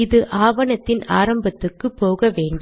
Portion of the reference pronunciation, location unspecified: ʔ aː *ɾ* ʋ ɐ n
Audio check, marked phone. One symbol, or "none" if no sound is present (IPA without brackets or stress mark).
none